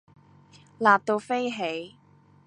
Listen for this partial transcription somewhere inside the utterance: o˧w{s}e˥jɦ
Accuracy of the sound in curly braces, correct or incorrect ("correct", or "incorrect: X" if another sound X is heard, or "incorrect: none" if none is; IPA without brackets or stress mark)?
incorrect: f